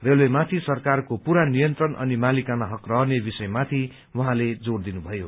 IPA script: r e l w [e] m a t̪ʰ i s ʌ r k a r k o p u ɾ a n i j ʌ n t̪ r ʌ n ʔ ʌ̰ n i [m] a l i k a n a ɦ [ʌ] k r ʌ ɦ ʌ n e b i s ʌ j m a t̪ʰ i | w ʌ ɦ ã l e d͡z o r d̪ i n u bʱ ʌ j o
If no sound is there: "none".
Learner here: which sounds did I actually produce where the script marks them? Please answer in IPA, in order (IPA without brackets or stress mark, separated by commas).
e, m, ʌ